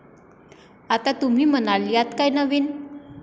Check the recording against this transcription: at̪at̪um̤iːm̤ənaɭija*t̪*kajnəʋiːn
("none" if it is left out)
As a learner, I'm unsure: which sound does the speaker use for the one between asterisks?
t̪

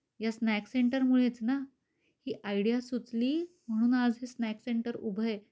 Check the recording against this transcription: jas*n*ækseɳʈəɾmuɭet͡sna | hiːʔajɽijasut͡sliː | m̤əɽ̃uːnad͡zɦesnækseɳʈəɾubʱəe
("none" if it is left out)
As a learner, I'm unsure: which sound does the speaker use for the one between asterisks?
n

